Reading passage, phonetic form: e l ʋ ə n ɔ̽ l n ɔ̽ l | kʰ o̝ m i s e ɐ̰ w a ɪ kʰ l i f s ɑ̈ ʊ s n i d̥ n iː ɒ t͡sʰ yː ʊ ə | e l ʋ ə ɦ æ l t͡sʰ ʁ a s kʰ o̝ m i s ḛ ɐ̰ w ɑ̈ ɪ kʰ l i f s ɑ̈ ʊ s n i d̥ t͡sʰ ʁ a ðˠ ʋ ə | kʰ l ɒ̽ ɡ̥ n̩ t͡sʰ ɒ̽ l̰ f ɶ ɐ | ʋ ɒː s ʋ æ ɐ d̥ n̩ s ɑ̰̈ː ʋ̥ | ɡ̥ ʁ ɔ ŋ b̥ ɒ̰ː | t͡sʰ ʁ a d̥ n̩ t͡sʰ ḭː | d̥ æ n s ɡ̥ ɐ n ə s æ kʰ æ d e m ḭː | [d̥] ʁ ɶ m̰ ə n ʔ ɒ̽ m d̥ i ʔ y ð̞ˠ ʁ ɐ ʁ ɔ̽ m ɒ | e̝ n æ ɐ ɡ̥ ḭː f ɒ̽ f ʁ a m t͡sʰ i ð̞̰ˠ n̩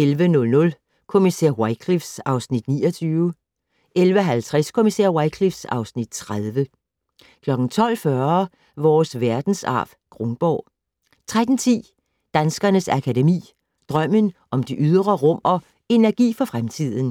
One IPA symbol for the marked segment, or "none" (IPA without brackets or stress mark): d̥